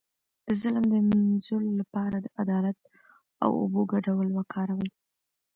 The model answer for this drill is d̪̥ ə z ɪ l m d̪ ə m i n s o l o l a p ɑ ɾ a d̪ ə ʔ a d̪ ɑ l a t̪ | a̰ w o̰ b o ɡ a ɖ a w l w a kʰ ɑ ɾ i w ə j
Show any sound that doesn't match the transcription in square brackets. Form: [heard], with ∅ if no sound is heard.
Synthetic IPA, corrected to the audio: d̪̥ ə z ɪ l m d̪ ə m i n [z] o l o l a p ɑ ɾ a d̪ ə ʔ a d̪ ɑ l a t̪ | a̰ w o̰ b o ɡ a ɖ a w l w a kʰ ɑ ɾ [a] w ə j